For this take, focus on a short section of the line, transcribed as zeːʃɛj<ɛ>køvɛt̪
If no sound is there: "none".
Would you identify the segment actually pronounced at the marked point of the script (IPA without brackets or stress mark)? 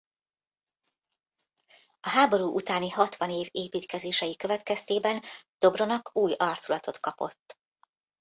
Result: i